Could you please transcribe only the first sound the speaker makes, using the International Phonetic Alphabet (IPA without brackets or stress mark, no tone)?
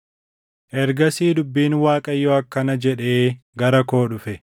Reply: ʔ